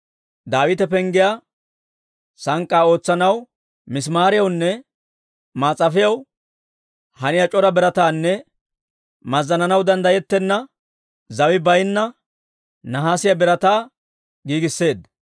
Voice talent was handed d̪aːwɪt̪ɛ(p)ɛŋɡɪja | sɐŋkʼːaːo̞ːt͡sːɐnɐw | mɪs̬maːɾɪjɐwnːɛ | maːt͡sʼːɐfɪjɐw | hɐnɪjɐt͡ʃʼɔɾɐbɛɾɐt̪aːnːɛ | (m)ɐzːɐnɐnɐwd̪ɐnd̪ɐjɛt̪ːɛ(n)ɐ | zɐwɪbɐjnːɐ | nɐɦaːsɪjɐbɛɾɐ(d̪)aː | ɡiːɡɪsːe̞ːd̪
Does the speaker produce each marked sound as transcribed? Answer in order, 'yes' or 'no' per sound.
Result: yes, yes, no, no

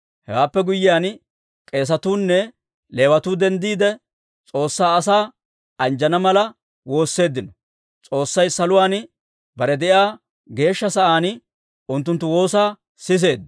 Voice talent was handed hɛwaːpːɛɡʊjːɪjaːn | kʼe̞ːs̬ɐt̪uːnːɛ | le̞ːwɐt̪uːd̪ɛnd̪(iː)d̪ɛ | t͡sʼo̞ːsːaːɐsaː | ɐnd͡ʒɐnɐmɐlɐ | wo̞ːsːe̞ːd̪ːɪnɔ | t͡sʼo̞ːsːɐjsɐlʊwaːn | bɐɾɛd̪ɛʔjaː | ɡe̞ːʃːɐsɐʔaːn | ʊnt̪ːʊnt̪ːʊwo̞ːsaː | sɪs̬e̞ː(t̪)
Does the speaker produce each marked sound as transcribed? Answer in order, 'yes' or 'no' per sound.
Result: yes, no

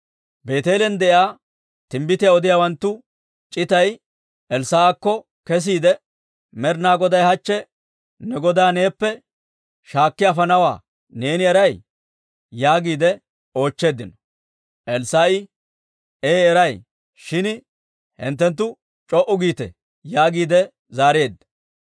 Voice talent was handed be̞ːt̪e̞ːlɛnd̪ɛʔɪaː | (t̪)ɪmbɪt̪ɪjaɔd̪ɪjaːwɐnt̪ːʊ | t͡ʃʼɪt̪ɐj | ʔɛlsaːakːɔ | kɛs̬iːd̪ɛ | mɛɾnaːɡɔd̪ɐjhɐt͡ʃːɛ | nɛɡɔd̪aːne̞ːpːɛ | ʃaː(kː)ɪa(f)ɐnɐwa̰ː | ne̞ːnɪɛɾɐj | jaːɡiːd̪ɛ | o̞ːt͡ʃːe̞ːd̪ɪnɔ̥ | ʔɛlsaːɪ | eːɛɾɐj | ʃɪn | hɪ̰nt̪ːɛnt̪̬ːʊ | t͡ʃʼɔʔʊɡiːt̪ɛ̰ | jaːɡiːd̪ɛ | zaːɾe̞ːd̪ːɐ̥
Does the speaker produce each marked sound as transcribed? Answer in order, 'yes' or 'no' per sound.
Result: yes, yes, yes

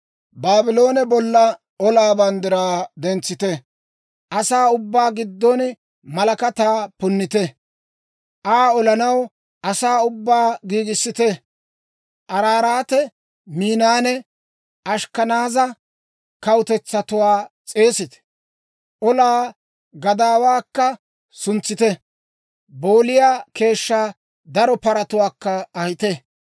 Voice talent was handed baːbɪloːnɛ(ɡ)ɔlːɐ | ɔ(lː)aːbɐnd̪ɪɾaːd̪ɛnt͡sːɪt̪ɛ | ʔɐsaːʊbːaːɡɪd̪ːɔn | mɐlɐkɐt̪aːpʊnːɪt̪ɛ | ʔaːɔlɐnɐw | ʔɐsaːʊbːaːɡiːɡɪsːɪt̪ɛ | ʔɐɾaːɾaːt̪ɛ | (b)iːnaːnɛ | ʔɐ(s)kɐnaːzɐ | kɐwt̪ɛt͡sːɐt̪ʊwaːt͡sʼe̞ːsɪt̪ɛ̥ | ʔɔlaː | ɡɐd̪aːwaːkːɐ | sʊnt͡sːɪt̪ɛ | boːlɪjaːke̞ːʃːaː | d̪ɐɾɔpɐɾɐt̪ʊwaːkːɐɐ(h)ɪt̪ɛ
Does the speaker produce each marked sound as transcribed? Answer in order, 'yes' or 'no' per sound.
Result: no, no, no, no, yes

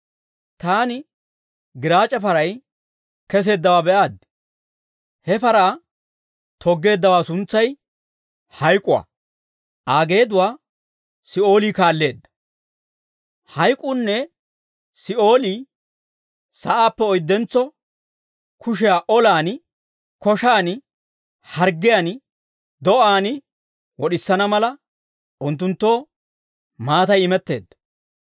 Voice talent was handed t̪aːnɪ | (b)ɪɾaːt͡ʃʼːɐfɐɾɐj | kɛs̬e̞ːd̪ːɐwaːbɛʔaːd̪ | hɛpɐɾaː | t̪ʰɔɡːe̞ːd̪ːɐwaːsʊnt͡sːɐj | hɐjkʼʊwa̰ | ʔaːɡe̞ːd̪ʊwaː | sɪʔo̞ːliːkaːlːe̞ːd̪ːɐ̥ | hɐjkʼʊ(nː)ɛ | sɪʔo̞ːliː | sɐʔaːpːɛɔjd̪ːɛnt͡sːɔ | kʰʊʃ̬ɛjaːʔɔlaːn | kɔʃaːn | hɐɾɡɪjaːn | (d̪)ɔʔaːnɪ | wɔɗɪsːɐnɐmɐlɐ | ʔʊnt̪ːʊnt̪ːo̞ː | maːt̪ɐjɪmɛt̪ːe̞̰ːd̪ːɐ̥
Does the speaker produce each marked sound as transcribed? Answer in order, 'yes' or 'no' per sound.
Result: no, yes, yes

